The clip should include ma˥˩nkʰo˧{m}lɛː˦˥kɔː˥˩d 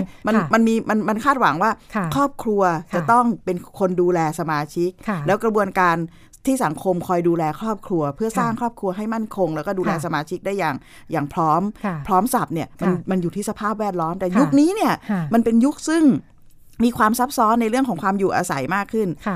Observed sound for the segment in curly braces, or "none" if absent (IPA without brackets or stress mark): ŋ